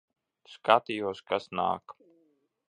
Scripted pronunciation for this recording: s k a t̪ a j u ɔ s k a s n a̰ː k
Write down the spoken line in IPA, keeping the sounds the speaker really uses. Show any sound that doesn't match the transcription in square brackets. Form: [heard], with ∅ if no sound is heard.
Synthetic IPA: s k a t̪ [i] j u ɔ s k a s n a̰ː k